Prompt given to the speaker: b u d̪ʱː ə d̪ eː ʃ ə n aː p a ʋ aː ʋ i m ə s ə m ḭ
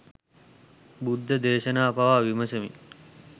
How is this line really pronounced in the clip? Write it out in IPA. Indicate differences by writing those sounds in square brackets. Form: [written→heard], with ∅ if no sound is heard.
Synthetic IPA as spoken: b u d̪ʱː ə d̪ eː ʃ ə n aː p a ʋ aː ʋ i m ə s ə m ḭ